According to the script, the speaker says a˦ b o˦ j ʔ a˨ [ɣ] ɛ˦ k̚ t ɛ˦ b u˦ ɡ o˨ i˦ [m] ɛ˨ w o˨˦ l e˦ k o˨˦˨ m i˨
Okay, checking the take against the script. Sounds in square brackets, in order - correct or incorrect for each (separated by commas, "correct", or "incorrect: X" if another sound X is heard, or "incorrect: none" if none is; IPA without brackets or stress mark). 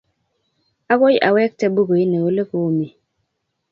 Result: incorrect: w, incorrect: n